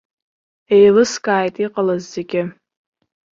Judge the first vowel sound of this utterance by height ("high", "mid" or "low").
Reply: mid